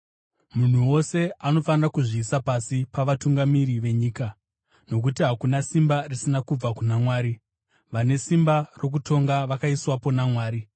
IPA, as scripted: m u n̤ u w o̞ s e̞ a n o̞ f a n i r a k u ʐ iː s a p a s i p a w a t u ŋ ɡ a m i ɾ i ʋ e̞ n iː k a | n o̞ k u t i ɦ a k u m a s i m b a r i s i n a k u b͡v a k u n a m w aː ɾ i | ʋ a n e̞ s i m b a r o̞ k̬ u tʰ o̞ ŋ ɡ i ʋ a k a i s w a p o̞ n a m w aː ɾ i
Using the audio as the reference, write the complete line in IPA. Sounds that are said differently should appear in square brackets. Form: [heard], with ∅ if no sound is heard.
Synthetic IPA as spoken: m u n̤ u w o̞ s e̞ a n o̞ f a n i r a k u ʐ iː s a p a s i p a [ʋ] a t u ŋ ɡ a m i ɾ i ʋ e̞ [ɲ] iː k a | n o̞ k u t i ɦ a k u [n] a s i m b a r i s i n a k u b͡v a k u n a m w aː ɾ i | ʋ a n e̞ s i m b a r o̞ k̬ u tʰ o̞ ŋ ɡ [a] ʋ a k a i s w a p o̞ n a m w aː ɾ i